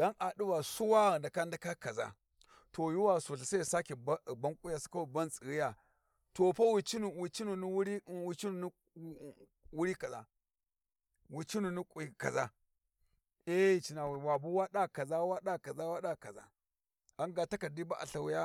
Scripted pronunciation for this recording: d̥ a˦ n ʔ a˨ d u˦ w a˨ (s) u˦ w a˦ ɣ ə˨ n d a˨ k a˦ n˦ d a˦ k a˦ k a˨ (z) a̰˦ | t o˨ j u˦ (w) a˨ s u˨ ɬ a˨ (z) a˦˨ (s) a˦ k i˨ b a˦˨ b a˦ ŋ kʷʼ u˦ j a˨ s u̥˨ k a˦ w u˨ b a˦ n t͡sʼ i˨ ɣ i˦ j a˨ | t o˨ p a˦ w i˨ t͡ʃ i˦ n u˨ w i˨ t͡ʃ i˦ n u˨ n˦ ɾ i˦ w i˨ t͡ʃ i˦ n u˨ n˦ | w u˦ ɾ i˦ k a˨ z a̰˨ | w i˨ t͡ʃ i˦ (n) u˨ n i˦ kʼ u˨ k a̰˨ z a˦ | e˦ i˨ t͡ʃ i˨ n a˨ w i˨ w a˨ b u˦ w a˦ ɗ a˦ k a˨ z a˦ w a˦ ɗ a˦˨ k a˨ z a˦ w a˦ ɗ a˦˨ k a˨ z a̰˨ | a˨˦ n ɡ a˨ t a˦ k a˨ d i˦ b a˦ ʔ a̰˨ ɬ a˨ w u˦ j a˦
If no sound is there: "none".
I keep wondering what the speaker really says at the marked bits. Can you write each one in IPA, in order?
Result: s, z, w, s, s, n

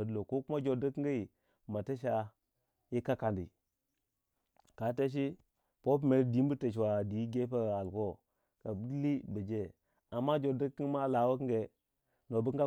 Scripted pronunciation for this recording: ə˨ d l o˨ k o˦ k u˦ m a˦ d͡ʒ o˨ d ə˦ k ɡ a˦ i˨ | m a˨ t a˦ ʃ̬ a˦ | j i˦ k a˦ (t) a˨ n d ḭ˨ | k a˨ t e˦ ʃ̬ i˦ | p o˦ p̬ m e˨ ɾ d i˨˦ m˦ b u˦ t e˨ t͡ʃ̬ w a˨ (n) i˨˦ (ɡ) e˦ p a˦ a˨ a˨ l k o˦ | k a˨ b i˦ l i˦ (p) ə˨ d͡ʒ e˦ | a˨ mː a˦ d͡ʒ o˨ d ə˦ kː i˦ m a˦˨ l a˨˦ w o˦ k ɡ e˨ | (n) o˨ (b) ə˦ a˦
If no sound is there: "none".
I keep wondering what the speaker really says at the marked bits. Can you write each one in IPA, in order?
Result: k, d, ɡ, b, n, b

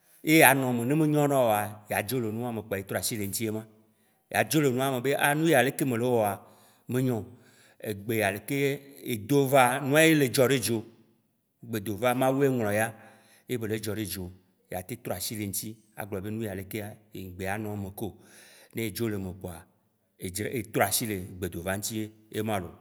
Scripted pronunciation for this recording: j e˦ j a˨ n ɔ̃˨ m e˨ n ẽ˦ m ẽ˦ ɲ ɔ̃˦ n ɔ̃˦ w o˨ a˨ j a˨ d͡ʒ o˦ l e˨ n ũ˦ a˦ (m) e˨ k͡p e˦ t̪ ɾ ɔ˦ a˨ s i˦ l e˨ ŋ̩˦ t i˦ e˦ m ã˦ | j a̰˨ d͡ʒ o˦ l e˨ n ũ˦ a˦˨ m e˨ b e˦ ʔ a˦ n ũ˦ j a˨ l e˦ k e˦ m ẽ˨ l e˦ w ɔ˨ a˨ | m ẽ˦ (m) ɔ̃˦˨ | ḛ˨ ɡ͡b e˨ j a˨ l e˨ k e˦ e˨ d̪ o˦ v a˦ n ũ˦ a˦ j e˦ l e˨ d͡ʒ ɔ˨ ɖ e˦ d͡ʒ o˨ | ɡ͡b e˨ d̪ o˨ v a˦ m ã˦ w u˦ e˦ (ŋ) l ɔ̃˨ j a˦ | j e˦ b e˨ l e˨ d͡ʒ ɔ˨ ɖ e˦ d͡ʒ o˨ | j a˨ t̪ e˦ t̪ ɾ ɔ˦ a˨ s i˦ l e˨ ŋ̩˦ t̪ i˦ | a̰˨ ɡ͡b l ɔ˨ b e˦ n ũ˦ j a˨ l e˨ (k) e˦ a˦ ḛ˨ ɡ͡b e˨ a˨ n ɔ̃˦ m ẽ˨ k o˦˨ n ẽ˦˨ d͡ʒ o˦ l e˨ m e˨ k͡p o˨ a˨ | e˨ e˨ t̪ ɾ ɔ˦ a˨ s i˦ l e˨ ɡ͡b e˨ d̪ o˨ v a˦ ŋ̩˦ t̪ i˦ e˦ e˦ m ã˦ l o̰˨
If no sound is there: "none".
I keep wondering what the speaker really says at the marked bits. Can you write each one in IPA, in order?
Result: m, ɲ, ŋ, k

